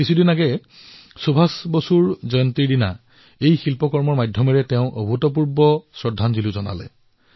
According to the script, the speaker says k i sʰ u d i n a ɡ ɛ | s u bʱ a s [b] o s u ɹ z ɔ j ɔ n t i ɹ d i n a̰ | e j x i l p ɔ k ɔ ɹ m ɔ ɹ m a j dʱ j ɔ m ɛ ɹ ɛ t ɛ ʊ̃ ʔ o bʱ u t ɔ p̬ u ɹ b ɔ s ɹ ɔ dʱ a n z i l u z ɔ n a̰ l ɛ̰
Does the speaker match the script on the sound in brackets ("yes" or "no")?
yes